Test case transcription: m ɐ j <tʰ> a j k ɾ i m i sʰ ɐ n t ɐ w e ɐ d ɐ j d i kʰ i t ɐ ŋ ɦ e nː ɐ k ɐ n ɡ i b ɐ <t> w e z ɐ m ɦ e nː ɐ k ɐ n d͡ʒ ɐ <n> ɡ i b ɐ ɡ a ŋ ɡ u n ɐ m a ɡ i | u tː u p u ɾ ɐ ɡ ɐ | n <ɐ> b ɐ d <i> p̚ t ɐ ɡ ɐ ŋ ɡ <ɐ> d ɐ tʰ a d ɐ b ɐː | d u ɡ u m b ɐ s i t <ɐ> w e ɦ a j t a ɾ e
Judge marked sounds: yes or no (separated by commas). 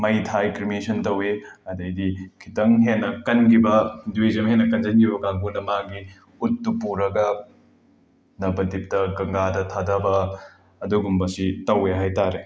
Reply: yes, no, yes, yes, yes, no, yes